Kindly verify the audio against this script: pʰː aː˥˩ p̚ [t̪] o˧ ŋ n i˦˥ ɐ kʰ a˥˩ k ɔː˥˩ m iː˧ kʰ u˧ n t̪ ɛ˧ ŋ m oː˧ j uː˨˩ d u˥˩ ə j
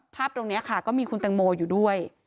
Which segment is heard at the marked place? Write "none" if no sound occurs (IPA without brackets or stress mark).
t̪